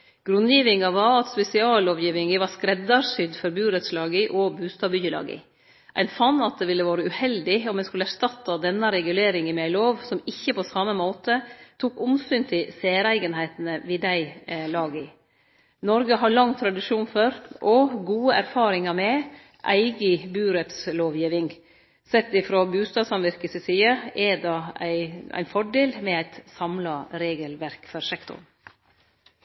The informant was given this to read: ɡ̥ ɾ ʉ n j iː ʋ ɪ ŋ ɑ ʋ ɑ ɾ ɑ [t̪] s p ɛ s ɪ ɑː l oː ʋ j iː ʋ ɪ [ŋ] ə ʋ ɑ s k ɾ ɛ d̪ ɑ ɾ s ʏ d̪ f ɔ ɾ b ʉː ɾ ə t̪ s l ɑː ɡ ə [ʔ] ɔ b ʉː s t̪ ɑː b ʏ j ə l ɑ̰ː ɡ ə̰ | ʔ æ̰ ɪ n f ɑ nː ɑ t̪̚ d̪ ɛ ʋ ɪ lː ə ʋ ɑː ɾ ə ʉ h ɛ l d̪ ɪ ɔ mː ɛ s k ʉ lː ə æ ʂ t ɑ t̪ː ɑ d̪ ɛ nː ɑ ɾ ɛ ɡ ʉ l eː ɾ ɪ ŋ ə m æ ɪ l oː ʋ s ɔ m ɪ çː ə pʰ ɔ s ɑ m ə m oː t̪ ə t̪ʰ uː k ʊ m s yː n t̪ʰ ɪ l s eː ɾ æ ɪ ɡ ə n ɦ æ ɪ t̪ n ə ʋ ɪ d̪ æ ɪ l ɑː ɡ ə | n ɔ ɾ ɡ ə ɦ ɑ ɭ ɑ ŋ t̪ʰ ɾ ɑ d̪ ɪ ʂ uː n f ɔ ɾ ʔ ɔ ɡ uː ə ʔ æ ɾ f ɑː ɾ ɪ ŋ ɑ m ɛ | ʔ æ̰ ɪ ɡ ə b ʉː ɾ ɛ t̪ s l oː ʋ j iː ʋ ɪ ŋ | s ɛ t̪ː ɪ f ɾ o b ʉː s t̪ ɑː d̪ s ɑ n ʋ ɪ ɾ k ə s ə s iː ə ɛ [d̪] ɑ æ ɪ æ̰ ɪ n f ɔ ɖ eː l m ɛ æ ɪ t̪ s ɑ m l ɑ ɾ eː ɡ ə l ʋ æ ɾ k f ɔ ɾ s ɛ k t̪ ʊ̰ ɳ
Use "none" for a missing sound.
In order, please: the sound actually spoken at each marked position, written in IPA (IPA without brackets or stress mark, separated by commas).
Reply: t̪, ŋ, ʔ, d̪